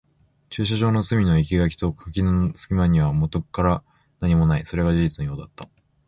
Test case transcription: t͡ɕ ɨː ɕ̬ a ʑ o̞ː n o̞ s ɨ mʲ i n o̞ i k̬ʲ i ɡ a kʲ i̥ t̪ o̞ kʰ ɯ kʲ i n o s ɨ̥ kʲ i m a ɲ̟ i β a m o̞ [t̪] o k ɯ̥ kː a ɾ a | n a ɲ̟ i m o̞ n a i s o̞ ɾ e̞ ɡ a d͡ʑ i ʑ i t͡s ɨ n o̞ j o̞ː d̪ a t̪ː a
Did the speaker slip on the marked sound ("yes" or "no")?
no